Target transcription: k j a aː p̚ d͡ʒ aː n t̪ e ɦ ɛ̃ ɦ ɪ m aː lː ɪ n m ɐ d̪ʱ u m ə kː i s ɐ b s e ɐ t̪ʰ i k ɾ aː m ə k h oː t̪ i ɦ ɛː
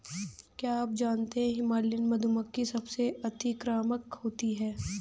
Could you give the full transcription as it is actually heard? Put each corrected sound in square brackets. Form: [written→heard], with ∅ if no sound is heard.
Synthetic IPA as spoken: k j a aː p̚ d͡ʒ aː n t̪ e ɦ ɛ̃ ɦ ɪ m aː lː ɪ n m ɐ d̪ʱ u m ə kː i s ɐ b s e ɐ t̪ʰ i k ɾ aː m ə k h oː t̪ i ɦ ɛː